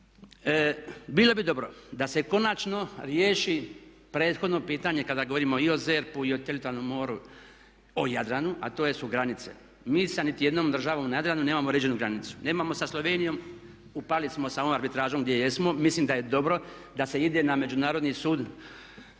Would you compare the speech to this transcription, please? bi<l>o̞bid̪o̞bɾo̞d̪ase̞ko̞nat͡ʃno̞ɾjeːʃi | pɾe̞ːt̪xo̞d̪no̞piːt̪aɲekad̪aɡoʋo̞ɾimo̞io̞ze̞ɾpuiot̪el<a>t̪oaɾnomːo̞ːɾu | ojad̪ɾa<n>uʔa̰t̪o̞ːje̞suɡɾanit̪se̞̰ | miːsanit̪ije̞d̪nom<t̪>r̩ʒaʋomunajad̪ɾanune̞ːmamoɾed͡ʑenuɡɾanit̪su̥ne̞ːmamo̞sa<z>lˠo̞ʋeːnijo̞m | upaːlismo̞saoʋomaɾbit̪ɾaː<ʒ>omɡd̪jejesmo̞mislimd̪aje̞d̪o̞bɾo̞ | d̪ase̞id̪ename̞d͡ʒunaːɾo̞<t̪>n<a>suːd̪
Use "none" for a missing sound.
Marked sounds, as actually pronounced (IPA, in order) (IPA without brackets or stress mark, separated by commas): l, i, n, d̪, s, ʒ, d̪, i